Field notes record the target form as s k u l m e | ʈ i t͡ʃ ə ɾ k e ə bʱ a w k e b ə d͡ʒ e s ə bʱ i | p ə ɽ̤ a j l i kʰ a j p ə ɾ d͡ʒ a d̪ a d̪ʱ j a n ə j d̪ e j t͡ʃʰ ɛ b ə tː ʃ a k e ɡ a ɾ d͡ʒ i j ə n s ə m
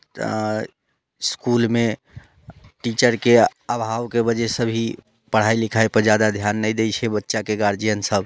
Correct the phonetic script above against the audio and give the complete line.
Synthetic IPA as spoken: s k u l m e | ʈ i t͡ʃ ə ɾ k e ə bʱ a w k e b ə d͡ʒ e s ə bʱ i | p ə ɽ̤ a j l i kʰ a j p ə ɾ d͡ʒ a d̪ a d̪ʱ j a nː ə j d̪ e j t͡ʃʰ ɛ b ə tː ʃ a k e ɡ a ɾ d͡ʒ i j ə n s ə b